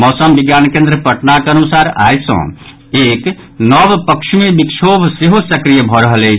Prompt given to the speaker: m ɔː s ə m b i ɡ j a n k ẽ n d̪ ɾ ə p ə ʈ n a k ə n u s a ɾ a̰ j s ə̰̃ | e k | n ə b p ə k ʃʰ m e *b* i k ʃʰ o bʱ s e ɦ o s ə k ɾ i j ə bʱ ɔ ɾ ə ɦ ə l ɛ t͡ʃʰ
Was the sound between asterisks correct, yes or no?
yes